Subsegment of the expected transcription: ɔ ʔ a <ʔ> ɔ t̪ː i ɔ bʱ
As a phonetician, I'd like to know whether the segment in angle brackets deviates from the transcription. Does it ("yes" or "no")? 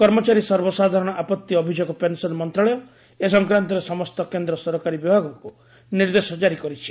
yes